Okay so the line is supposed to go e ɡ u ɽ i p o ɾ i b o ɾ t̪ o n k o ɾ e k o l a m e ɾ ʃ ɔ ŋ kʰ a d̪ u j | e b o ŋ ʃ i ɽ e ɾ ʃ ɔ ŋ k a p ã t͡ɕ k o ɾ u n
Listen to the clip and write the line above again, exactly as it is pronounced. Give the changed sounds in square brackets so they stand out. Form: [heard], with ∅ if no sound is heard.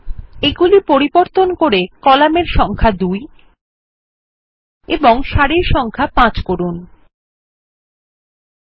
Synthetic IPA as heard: e ɡ u [l] i p o ɾ i b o ɾ t̪ o n k o ɾ e k [ɔ] l a m e ɾ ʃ ɔ ŋ kʰ a d̪ u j | e b o ŋ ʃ [a] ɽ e ɾ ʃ ɔ ŋ [kʰ] a p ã t͡ɕ k o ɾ u n

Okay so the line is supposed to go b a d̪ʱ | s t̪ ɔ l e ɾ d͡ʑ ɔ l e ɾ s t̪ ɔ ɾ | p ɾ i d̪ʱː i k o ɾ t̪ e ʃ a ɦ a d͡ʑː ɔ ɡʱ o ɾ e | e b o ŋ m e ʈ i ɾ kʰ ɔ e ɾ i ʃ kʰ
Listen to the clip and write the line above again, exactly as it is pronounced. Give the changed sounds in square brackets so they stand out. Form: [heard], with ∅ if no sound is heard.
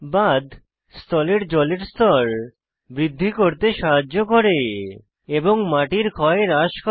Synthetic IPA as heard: b a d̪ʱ | s t̪ ɔ l e ɾ d͡ʑ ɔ l e ɾ s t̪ ɔ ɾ | [b] ɾ i d̪ʱː i k o ɾ t̪ e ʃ a ɦ a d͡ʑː [o] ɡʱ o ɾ e | e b o ŋ m [a] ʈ i ɾ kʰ ɔ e ɾ [a] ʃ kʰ

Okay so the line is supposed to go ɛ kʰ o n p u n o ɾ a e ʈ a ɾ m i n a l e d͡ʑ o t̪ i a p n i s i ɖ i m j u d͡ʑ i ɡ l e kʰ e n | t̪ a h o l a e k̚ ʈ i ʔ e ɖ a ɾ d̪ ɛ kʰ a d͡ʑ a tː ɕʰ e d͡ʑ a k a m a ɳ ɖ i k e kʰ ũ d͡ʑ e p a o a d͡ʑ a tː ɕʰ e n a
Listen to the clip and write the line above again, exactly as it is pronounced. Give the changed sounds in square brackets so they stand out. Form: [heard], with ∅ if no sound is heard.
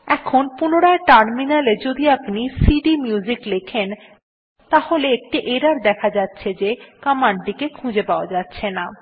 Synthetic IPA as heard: ɛ kʰ o n p u n o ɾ a e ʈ a ɾ m i n a l e d͡ʑ o [d̪] i a p n i s i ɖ i m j u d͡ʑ i [k] l e kʰ e n | t̪ a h o l [e] e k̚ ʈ i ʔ e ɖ a ɾ d̪ ɛ kʰ a d͡ʑ a tː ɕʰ e d͡ʑ [e] k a m a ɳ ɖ i k e kʰ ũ d͡ʑ e p a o a d͡ʑ a tː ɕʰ e n a

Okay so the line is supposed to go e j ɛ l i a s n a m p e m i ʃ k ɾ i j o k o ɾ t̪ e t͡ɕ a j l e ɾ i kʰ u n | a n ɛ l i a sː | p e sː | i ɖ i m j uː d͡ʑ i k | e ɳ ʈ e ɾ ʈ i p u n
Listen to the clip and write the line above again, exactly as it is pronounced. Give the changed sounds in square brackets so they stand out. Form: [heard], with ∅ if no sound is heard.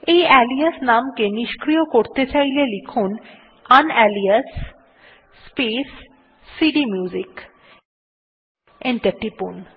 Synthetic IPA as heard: e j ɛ l i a s n a m [k] e [n] i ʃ k ɾ i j o k o ɾ t̪ e t͡ɕ a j l e [l] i kʰ u n | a n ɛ l i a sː | p e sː | i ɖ i m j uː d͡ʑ i k | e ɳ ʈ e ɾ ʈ i p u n

